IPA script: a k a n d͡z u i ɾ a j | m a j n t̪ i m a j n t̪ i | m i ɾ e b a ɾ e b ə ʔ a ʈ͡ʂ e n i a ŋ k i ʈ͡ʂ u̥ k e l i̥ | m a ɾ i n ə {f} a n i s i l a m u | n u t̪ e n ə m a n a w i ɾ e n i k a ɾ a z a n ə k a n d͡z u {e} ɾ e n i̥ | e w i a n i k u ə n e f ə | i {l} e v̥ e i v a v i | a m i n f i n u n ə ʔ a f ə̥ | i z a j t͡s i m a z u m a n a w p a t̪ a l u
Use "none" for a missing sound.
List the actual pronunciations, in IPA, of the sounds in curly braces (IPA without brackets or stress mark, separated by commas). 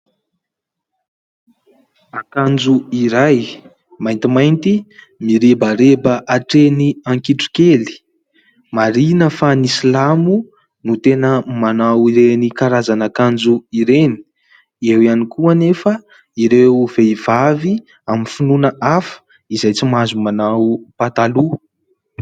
f, i, ɾ